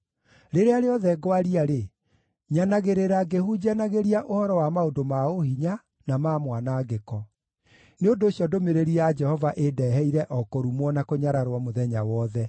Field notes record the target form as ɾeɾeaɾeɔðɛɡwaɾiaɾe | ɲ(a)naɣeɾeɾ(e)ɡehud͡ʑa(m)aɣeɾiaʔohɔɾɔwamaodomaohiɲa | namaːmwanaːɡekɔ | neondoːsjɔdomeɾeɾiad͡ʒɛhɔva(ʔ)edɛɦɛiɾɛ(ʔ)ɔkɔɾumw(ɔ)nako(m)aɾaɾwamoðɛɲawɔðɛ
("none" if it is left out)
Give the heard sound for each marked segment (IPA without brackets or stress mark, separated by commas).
a, a, n, ʔ, ʔ, ɔ, ɲ